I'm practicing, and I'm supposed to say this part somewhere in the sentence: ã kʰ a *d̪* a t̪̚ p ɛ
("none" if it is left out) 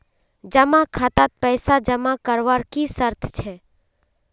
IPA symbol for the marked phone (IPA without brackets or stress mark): t̪